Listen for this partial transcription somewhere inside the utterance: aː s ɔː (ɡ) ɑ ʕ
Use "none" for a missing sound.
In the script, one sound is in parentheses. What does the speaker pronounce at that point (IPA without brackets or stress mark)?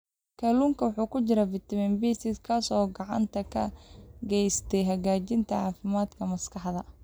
ɡ